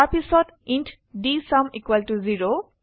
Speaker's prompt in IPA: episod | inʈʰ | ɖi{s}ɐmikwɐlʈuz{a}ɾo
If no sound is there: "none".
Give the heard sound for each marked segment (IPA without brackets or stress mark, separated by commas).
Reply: s, i